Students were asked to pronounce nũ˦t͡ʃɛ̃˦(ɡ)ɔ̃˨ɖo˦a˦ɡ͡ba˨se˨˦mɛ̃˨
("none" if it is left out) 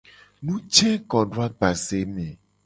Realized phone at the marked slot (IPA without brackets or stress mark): k